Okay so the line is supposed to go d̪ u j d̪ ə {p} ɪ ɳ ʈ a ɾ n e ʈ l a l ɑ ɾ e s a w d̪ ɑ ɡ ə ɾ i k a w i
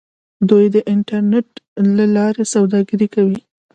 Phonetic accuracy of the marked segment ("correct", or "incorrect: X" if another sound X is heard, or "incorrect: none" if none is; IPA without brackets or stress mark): incorrect: ʔ